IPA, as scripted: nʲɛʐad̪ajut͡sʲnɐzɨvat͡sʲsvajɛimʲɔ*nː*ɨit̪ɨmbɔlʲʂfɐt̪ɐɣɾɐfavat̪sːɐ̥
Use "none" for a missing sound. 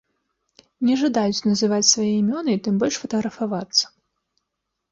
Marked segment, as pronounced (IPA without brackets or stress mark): n